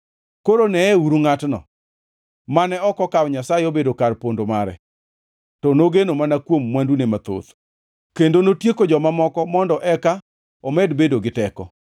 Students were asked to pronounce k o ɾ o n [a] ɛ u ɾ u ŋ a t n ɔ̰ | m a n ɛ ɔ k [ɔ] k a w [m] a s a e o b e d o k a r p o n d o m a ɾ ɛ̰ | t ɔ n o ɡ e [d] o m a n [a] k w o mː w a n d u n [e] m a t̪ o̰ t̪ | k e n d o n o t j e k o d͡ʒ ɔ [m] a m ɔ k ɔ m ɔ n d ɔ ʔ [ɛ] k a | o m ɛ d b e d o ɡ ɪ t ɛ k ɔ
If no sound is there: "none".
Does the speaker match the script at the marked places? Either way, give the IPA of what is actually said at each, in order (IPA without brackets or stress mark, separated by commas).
ɛ, ɔ, ɲ, n, a, e, m, ɛ